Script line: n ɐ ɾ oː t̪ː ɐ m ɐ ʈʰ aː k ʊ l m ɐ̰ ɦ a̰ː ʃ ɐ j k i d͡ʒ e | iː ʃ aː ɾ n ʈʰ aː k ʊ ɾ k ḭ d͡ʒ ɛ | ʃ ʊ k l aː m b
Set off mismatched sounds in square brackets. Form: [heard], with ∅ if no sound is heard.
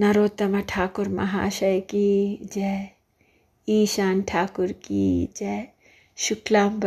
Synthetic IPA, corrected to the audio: n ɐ ɾ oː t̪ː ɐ m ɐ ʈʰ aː k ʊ [ɾ] m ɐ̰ ɦ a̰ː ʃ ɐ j k i d͡ʒ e | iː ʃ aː [∅] n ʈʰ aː k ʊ ɾ k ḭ d͡ʒ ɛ | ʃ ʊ k l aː m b